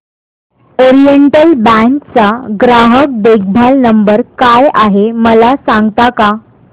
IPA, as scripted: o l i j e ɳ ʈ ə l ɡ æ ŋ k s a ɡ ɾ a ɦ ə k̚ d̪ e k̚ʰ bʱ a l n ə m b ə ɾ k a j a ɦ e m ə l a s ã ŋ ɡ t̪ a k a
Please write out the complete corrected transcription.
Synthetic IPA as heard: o ɾ i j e ɳ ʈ ə l b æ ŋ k t͡s a ɡ ɾ a ɦ ə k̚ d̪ e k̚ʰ bʱ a l n ə m b ə ɾ k a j a ɦ e m ə l a s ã ŋ ɡ t̪ a k a